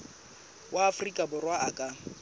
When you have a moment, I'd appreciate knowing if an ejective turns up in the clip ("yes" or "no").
yes